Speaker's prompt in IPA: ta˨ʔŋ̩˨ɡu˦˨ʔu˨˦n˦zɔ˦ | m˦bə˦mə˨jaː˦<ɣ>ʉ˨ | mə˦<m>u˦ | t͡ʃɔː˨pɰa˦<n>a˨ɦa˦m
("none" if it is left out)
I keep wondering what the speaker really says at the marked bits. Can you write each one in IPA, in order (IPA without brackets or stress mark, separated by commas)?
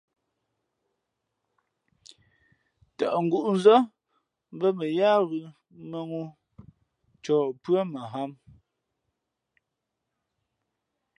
ɣ, ŋ, m